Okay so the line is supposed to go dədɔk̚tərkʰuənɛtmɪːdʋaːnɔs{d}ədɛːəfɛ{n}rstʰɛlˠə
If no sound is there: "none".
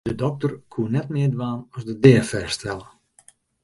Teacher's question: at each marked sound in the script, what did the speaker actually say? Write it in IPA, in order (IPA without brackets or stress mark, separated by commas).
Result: d, none